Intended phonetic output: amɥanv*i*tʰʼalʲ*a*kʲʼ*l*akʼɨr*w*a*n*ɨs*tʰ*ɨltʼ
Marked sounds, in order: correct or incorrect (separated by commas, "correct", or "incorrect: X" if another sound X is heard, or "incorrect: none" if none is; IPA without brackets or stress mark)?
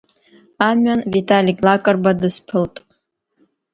correct, incorrect: i, correct, incorrect: b, incorrect: d, incorrect: pʰ